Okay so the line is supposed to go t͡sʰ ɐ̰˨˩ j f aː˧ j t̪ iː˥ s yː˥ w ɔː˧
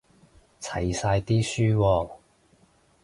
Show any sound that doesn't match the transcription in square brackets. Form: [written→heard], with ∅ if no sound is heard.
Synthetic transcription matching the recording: t͡sʰ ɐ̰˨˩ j [f→s] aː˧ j t̪ iː˥ s yː˥ w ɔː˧